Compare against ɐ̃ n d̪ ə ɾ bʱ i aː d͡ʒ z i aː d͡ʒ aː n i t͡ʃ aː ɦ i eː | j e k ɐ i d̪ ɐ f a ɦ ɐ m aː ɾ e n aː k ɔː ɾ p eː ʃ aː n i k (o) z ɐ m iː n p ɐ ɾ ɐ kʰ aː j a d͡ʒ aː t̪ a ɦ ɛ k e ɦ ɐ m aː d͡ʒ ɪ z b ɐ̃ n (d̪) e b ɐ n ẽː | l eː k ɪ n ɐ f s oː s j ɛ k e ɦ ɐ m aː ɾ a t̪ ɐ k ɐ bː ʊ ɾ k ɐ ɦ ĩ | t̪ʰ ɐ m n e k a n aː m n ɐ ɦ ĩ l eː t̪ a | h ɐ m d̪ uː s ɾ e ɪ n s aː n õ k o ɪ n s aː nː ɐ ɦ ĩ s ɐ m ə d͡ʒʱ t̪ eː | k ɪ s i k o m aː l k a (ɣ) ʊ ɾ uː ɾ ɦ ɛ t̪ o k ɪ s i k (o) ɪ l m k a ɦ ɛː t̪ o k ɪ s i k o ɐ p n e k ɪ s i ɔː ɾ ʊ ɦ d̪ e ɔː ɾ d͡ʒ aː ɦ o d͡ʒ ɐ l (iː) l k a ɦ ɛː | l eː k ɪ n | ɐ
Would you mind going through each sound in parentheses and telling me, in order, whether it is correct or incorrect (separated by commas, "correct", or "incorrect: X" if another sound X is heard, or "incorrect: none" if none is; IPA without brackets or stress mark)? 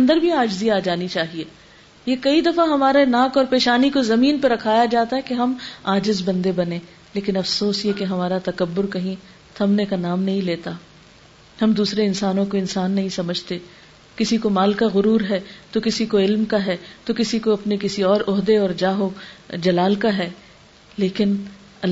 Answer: correct, correct, correct, correct, incorrect: aː